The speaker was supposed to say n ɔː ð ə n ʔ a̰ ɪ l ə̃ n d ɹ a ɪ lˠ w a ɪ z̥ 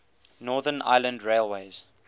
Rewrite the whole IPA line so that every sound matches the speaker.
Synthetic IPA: n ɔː ð ə n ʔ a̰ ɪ l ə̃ n d ɹ e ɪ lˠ w e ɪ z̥